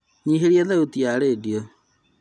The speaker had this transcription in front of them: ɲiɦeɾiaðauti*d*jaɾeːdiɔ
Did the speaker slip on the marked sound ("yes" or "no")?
yes